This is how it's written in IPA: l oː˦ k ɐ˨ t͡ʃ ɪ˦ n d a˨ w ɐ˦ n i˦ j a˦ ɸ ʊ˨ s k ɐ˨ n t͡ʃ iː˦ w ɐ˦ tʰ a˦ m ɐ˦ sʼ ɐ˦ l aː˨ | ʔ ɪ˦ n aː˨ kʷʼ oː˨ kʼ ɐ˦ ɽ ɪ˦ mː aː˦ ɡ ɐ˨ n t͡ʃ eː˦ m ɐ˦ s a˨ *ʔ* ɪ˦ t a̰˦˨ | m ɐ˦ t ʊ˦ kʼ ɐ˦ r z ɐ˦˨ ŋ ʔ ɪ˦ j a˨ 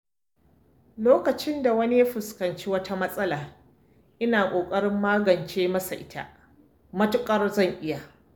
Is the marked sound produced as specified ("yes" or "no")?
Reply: yes